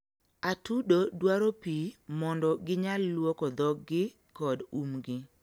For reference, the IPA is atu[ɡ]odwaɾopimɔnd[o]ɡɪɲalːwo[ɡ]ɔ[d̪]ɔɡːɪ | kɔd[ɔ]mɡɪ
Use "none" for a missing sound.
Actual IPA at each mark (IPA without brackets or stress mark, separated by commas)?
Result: d, ɔ, k, d̪, u